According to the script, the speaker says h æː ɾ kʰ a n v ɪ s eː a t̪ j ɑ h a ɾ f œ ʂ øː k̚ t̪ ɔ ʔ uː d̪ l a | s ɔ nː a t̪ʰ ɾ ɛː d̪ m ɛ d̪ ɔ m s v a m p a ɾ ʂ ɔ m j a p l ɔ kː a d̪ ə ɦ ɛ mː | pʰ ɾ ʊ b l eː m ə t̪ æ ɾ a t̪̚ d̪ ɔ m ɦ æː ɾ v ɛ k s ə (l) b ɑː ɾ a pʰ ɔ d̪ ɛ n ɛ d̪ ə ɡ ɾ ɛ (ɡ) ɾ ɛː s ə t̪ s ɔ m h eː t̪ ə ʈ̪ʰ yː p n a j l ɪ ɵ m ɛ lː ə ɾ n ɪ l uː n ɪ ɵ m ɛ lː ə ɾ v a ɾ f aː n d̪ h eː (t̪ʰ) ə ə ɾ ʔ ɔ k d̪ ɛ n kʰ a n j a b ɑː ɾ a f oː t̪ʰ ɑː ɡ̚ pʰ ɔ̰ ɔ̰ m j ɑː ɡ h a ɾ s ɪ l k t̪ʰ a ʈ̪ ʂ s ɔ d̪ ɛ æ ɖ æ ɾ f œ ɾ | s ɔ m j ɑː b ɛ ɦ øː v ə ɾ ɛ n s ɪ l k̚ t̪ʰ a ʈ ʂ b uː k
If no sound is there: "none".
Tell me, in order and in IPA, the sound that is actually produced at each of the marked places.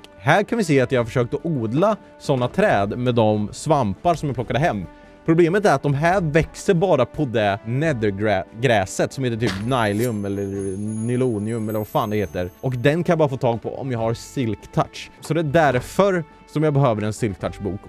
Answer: ɾ, ɡ, t̪

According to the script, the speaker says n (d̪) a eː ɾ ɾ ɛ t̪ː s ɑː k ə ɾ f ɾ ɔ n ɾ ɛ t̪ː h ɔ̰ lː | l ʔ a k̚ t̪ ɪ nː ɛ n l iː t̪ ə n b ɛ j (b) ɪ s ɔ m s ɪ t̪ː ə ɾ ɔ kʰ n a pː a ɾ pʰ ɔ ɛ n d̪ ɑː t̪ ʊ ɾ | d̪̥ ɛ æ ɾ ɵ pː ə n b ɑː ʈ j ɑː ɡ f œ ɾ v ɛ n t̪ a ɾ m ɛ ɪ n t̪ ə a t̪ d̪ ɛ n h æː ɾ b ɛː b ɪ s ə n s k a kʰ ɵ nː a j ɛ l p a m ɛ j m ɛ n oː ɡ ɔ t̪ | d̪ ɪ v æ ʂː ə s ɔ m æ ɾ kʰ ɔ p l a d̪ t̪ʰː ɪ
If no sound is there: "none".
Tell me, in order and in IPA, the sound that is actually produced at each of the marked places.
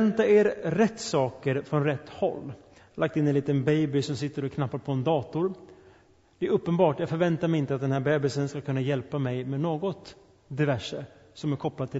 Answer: t̪, b

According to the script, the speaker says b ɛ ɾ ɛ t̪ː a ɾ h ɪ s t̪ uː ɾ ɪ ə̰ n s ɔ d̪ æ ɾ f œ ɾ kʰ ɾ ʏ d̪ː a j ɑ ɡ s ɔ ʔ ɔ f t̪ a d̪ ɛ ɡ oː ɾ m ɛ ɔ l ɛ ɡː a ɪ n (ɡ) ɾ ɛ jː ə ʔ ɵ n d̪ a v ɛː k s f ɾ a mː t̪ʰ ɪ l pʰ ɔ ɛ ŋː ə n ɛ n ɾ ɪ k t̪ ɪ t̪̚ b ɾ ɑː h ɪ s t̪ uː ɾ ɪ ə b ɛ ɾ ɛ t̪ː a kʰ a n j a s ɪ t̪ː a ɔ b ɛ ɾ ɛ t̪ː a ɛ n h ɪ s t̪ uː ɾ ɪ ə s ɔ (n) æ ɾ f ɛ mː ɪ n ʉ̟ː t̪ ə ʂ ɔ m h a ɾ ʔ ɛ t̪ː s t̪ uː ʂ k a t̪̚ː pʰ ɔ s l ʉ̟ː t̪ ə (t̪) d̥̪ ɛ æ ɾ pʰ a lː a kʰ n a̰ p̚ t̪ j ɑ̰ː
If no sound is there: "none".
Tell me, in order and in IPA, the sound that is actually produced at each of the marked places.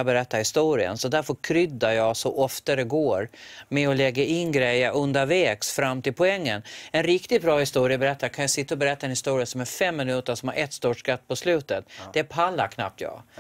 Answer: ɡ, m, t̪

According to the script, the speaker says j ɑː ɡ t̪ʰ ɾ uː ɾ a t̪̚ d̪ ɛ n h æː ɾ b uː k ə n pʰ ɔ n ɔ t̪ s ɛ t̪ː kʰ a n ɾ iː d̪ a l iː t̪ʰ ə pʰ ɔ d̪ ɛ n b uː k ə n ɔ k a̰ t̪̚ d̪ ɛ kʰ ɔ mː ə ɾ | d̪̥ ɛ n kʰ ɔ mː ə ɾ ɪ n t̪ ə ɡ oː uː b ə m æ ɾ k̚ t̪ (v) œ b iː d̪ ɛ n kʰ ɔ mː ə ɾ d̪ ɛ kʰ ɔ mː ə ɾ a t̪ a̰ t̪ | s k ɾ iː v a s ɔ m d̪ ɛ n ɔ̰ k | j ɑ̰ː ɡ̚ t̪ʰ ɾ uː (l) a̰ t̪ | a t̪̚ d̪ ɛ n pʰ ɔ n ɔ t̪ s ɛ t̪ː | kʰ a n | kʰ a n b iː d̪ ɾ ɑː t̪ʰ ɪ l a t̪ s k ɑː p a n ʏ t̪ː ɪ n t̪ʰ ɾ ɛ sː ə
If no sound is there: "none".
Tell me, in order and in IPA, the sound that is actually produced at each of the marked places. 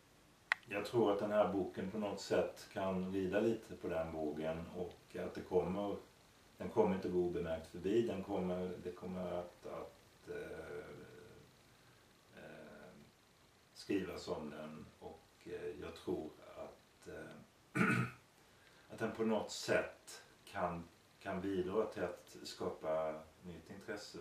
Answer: f, ɾ

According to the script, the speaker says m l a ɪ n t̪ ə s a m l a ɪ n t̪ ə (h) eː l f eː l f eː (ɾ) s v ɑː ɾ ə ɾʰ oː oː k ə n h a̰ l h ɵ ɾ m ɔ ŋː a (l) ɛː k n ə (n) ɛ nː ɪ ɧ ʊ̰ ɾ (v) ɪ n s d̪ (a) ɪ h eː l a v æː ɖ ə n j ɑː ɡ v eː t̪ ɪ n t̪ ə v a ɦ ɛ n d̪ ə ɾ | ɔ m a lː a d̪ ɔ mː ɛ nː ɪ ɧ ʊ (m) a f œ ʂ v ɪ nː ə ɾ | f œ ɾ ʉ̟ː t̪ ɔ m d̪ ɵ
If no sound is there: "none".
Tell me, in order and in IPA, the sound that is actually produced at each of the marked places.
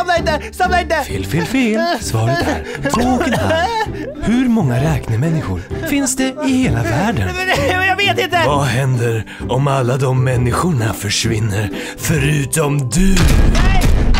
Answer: f, l, ɾ, m, f, ɛ, ɳ

